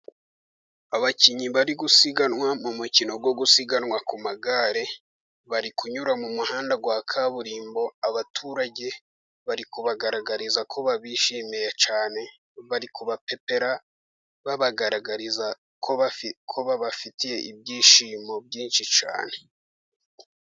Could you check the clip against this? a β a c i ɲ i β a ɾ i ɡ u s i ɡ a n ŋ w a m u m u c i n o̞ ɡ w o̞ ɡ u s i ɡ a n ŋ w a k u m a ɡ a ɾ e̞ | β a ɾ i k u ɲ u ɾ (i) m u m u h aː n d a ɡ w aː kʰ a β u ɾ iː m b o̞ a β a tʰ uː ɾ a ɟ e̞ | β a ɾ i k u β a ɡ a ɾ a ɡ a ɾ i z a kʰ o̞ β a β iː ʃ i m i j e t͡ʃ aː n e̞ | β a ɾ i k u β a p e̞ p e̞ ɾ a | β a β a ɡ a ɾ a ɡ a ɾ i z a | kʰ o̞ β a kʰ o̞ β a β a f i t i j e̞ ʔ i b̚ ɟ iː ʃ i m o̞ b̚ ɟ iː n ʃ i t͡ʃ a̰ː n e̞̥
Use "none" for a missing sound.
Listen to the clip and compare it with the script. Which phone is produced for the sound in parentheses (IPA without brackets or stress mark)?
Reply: a